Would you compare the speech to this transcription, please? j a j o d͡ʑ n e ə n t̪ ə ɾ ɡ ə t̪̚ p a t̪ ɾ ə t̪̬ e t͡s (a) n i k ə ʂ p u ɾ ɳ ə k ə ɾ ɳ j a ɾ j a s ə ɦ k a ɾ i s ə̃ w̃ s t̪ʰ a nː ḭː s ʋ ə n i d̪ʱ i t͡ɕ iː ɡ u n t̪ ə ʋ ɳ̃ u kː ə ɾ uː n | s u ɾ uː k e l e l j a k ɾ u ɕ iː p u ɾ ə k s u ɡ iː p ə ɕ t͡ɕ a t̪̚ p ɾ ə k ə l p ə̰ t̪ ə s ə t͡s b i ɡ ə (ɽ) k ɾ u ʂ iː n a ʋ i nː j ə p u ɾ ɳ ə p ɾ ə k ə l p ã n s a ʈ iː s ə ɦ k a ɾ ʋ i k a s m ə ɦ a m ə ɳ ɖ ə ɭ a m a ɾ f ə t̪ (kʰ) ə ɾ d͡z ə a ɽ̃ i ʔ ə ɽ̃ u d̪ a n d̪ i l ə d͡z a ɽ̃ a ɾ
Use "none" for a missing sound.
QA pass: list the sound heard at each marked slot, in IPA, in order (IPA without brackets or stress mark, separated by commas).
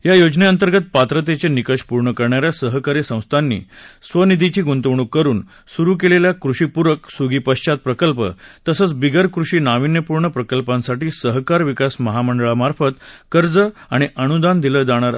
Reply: e, ɾ, k